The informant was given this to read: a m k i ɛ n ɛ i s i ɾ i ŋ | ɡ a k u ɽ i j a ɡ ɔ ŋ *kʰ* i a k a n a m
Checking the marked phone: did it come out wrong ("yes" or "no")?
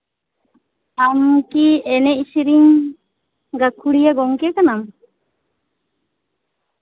yes